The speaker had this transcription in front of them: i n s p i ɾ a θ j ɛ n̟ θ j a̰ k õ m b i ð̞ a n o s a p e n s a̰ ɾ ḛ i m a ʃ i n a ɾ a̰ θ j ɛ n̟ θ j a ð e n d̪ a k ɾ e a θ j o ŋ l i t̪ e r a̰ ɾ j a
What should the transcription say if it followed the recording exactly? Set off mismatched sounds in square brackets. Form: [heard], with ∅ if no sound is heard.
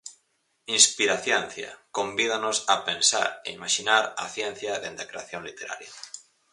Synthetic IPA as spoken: i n s p i ɾ a θ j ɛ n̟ θ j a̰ k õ m b i ð̞ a n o s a p e n s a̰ ɾ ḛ i m a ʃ i n a ɾ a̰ θ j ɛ n̟ θ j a ð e n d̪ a k ɾ e a θ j o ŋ l i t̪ e [ɾ] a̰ ɾ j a